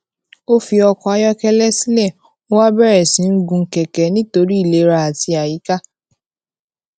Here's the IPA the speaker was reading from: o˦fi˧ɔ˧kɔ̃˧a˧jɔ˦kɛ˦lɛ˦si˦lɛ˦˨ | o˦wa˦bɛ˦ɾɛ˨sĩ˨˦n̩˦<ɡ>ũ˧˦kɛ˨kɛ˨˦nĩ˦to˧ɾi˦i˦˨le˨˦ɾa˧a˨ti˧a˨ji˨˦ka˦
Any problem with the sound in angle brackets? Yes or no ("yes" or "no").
no